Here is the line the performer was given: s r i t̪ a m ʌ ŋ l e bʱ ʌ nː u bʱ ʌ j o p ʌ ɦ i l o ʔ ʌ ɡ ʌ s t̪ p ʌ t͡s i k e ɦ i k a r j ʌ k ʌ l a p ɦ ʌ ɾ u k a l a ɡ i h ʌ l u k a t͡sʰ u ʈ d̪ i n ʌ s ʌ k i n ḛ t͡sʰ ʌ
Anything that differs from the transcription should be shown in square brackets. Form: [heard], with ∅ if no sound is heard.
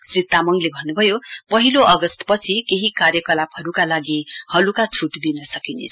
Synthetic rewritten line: s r i t̪ a m ʌ ŋ l e bʱ ʌ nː u bʱ ʌ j o p ʌ ɦ i l o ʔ ʌ ɡ ʌ s t̪ p ʌ [t͡sʰ] i k e ɦ i k a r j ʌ k ʌ l a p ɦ ʌ ɾ u k a l a ɡ i h ʌ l u k a t͡sʰ u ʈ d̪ i n ʌ s ʌ k i n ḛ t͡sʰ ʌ